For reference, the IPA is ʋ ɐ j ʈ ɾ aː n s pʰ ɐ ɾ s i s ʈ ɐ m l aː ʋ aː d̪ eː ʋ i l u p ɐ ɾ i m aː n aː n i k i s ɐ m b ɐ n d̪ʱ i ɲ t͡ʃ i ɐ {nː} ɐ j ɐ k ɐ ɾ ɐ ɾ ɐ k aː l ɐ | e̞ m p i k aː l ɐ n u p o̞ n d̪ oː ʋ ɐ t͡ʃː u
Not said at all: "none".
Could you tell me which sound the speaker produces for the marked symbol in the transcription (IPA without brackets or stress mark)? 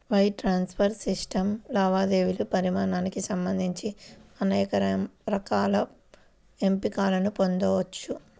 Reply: n